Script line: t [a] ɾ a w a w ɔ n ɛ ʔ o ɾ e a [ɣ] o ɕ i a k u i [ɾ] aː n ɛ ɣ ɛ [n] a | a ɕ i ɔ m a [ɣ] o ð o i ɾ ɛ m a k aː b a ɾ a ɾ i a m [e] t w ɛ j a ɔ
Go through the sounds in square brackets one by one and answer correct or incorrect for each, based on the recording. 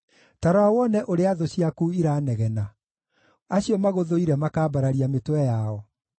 correct, incorrect, correct, correct, correct, correct

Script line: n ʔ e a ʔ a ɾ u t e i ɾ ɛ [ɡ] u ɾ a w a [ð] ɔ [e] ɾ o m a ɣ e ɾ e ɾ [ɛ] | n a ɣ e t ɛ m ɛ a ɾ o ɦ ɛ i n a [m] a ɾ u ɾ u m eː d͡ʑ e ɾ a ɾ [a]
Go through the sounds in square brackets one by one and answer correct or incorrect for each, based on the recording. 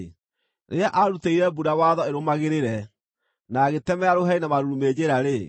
incorrect, correct, correct, correct, correct, incorrect

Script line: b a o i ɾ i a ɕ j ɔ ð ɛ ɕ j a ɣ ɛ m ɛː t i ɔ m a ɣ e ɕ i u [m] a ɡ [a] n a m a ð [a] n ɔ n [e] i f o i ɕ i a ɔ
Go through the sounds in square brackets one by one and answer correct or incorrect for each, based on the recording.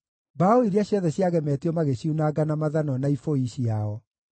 incorrect, correct, correct, incorrect

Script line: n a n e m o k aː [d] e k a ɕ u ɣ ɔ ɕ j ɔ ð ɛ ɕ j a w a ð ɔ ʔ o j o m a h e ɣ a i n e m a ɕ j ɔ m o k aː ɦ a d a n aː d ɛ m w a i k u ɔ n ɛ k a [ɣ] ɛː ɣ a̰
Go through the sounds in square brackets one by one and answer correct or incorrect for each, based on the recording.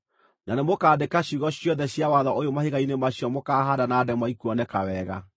correct, incorrect

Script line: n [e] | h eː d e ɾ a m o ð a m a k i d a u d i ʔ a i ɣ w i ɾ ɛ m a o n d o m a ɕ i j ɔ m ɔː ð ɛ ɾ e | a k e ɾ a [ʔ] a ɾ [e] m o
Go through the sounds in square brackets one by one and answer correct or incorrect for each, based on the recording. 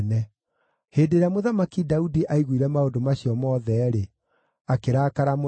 incorrect, incorrect, incorrect

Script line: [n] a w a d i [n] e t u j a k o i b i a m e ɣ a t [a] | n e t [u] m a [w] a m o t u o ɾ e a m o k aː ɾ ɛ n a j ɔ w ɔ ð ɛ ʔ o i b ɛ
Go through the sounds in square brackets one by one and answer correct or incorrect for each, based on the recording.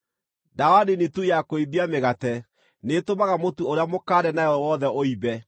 incorrect, correct, incorrect, incorrect, incorrect

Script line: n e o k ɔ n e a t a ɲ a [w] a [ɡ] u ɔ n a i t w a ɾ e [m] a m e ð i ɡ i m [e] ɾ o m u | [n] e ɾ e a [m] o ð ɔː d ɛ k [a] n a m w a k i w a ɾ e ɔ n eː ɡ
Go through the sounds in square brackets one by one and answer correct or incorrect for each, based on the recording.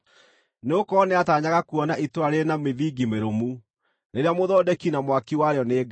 incorrect, incorrect, incorrect, correct, correct, correct, incorrect

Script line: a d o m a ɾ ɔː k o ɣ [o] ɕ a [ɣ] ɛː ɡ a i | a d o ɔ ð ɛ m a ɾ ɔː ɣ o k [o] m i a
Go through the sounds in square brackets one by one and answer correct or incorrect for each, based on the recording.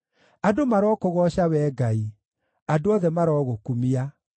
incorrect, incorrect, incorrect

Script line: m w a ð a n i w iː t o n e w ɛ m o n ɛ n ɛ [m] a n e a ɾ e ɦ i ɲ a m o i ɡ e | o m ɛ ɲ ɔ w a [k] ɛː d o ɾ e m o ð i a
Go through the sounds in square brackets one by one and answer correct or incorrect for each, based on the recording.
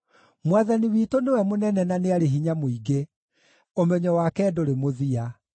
incorrect, correct

